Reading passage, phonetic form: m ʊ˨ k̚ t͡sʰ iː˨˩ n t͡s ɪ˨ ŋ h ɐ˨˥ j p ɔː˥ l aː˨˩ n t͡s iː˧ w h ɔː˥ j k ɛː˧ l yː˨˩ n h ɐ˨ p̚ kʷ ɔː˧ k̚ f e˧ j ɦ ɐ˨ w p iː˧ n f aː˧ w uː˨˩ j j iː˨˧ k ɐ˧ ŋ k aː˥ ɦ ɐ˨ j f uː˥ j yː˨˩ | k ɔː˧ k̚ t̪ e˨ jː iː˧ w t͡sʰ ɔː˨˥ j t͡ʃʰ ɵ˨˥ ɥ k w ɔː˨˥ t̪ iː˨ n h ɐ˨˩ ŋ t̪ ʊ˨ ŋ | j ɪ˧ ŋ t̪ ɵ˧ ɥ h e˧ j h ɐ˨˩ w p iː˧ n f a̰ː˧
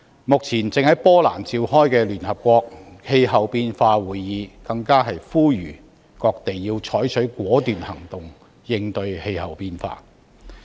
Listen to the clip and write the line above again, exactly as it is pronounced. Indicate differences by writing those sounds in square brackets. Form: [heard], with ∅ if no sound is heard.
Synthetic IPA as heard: m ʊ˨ k̚ t͡sʰ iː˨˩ n t͡s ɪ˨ ŋ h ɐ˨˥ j p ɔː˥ l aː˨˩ n t͡s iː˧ w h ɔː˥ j k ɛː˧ l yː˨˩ n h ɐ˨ p̚ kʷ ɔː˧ k̚ [h] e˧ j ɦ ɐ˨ w p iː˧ n f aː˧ w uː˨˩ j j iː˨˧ k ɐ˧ ŋ k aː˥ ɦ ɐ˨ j f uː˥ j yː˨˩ | k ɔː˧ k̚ t̪ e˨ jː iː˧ w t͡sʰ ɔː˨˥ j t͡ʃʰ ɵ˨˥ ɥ k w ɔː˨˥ t̪ [yː˨] n h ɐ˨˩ ŋ t̪ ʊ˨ ŋ | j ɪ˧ ŋ t̪ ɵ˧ ɥ h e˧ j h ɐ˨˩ w p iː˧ n f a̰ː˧

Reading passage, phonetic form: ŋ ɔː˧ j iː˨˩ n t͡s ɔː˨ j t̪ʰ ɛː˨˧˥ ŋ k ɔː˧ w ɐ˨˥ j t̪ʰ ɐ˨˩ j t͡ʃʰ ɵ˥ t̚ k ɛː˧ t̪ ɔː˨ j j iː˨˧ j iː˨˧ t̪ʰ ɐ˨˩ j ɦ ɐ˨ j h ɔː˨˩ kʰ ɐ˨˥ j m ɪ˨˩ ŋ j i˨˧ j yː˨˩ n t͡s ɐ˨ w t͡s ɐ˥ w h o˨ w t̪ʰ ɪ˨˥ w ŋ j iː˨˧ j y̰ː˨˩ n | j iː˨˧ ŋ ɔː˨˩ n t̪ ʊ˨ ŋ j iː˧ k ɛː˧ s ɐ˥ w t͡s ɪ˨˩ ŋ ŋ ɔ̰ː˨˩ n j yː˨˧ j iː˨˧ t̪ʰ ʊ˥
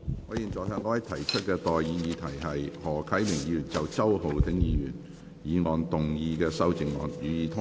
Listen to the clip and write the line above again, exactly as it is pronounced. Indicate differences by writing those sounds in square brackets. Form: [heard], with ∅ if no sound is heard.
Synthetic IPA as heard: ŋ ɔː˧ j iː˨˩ n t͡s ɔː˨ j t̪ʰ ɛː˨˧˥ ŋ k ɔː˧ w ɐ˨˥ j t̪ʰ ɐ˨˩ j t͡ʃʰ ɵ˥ t̚ k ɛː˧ t̪ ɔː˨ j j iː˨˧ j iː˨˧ t̪ʰ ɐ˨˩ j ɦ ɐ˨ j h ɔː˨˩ kʰ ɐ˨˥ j m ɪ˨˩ ŋ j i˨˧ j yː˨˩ n t͡s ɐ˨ w t͡s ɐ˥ w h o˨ w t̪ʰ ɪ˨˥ [∅] ŋ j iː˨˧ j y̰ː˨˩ n | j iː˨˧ ŋ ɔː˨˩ n t̪ ʊ˨ ŋ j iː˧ k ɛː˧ s ɐ˥ w t͡s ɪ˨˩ ŋ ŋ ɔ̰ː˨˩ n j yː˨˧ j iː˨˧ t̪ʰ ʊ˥

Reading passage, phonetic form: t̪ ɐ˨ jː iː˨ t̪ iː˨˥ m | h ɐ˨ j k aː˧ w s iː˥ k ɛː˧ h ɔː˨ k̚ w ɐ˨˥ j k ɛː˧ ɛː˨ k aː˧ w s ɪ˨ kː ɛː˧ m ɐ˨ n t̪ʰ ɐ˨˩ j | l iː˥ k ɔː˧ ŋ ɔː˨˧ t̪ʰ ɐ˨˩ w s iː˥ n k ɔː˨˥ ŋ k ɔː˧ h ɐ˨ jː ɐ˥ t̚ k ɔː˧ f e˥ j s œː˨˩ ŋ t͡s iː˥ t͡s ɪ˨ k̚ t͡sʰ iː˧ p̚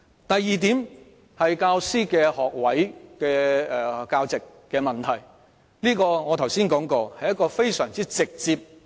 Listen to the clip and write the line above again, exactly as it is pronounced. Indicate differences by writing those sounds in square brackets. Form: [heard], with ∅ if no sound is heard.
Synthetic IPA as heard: t̪ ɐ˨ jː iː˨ t̪ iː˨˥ m | h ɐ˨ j k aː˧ w s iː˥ k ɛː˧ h ɔː˨ k̚ w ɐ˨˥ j k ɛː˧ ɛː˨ k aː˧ w [t͡s] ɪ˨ kː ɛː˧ m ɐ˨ n t̪ʰ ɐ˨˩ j | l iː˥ k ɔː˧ ŋ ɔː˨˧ t̪ʰ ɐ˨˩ w s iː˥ n k ɔː˨˥ ŋ k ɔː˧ h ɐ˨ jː ɐ˥ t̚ k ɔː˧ f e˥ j s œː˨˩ ŋ t͡s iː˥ t͡s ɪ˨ k̚ [t͡s] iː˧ p̚

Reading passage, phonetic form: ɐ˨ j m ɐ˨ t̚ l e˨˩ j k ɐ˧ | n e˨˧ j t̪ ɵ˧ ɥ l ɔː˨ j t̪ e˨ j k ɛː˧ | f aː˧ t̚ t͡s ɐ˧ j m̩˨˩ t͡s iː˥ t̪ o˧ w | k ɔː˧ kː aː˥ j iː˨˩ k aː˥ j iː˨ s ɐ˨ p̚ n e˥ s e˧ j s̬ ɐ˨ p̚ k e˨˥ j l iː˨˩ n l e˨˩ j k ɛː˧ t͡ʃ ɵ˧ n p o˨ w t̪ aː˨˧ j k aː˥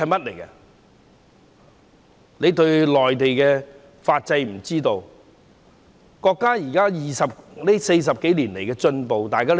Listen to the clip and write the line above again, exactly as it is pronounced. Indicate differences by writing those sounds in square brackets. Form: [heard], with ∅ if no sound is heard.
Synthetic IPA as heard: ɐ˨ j m [ɐ˥] t̚ l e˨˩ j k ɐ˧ | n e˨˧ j t̪ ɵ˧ ɥ l ɔː˨ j t̪ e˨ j k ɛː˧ | f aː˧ t̚ t͡s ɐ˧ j m̩˨˩ t͡s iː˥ t̪ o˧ w | k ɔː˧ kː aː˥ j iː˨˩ k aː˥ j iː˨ s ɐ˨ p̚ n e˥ s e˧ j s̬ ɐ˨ p̚ k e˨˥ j l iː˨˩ n l e˨˩ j k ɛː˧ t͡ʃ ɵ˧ n p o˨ w t̪ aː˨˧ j k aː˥

